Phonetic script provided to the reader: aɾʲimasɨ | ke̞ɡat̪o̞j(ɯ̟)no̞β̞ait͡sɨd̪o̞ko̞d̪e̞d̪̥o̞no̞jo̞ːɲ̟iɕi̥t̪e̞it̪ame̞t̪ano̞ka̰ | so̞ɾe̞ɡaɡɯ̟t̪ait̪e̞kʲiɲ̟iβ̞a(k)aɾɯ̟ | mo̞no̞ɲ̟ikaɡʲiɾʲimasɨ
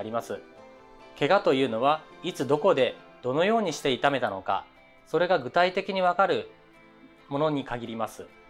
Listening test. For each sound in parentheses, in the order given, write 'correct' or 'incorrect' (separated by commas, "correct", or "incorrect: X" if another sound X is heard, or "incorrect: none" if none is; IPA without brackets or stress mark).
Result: incorrect: ɯ̟ː, correct